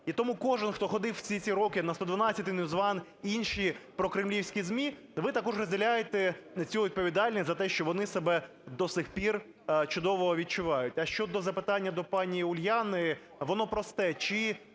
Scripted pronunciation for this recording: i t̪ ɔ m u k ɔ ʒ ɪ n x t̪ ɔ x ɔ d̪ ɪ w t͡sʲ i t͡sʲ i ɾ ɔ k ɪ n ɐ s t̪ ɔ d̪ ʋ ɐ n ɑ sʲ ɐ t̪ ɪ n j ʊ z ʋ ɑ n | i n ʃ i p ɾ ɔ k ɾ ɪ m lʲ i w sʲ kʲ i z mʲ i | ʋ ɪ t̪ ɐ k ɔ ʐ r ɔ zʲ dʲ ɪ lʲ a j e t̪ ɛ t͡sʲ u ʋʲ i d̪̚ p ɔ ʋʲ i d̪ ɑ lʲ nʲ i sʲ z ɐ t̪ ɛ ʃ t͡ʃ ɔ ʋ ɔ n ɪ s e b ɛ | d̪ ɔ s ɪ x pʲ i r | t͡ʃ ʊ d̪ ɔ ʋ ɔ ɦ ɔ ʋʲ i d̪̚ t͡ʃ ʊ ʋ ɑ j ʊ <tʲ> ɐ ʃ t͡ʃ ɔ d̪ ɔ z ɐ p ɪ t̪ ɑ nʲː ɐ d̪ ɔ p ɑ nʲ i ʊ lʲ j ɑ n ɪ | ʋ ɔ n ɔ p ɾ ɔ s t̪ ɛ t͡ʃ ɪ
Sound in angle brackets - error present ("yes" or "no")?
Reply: no